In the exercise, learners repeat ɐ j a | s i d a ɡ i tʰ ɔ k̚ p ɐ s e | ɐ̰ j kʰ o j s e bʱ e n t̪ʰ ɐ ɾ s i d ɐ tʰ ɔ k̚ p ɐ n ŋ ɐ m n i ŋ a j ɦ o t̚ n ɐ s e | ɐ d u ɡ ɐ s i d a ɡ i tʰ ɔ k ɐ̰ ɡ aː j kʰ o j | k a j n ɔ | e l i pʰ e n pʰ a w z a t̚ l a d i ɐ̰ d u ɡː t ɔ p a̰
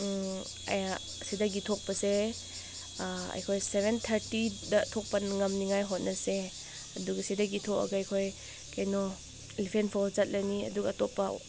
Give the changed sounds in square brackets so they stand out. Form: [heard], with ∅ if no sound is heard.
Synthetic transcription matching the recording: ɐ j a | s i d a ɡ i tʰ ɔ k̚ p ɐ s e | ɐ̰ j kʰ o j s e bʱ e n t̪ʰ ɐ ɾ [t] i d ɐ tʰ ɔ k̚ p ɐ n ŋ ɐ m n i ŋ a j ɦ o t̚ n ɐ s e | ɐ d u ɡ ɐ s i d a ɡ i tʰ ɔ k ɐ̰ ɡ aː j kʰ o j | k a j n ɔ | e l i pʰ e n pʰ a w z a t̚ l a [n] i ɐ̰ d u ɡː t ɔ p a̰